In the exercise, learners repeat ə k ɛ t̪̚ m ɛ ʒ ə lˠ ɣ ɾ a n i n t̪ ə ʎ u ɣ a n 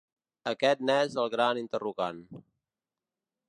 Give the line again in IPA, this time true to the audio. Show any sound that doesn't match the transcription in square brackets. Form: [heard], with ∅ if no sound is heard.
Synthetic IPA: ə k ɛ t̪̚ [n] ɛ [z] ə lˠ ɣ ɾ a n i n t̪ ə [r] u ɣ a n